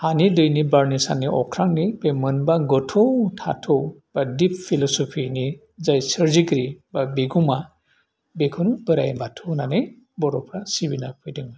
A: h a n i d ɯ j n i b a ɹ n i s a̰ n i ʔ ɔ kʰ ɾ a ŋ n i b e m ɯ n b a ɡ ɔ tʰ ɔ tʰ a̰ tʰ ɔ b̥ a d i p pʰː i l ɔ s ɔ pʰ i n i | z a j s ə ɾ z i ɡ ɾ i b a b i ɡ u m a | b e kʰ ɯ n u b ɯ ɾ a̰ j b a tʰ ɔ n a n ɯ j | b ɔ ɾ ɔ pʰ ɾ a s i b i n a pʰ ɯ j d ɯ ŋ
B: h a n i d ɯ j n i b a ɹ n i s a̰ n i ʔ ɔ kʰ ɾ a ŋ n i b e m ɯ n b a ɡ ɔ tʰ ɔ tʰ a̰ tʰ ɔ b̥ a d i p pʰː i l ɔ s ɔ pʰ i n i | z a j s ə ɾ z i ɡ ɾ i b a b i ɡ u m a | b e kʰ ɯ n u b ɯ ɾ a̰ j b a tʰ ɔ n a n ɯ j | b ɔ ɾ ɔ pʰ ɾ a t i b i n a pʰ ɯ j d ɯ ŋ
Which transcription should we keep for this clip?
A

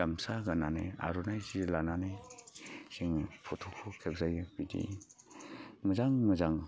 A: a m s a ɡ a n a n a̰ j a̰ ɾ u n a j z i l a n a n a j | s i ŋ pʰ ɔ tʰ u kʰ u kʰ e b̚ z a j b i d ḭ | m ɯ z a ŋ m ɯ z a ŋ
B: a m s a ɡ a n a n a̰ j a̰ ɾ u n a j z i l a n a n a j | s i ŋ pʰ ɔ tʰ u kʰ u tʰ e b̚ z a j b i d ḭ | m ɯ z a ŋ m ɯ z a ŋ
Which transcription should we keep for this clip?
A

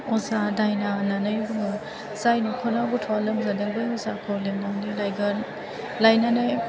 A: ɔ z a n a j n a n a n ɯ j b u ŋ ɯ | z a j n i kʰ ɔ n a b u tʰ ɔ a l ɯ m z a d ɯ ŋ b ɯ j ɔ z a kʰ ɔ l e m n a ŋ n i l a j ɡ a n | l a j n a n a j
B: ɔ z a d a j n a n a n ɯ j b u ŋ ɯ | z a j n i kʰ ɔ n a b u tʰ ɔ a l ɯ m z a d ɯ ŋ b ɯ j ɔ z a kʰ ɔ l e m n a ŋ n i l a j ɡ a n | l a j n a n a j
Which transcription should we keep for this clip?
B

